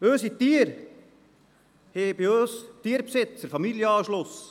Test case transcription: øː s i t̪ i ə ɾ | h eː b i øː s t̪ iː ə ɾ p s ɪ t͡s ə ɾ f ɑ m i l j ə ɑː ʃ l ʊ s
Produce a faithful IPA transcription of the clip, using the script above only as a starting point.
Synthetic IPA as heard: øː s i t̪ i ə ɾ | h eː b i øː s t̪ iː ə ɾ p s ɪ t͡s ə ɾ f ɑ m i l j ə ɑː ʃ l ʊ s